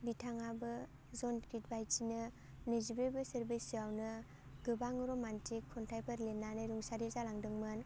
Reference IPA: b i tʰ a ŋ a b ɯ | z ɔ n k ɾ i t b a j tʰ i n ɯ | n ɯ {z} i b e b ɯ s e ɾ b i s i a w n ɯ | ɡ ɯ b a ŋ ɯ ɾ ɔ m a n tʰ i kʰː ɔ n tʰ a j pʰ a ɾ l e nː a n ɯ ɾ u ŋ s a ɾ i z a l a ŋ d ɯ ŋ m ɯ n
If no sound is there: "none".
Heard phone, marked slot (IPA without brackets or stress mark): z